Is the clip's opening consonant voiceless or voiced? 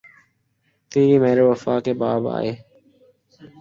voiceless